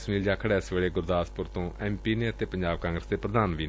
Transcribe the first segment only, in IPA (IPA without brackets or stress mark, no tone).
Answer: s